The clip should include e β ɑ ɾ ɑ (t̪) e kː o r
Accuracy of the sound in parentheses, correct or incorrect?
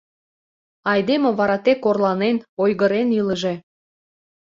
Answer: correct